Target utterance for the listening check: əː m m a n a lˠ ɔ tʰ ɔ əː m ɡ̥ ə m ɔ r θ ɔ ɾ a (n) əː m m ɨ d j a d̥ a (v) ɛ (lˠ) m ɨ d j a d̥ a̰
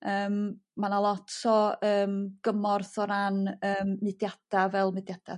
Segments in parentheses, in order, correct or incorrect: correct, correct, correct

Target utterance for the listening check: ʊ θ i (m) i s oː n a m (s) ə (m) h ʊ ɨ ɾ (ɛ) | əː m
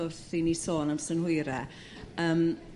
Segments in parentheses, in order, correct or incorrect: incorrect: n, correct, incorrect: n, correct

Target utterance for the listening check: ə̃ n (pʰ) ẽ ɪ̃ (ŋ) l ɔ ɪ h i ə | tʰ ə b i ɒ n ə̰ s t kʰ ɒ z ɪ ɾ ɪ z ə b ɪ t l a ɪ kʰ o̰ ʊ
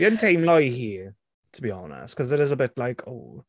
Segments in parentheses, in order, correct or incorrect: incorrect: tʰ, incorrect: m

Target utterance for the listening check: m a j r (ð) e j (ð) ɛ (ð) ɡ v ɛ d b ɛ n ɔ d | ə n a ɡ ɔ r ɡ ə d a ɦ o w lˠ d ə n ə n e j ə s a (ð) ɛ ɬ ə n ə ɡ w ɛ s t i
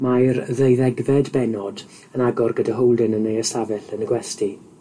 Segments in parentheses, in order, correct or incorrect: correct, correct, incorrect: none, incorrect: v

